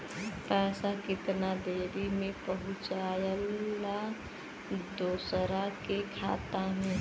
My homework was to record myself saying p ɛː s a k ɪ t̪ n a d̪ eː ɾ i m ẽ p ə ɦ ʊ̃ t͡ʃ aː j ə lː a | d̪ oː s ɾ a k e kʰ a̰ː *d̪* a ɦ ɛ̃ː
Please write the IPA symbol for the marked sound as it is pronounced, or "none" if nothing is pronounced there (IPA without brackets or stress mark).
t̪